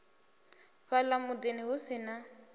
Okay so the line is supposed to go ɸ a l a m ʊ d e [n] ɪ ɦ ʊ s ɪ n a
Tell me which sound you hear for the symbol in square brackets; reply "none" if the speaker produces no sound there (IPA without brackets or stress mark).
n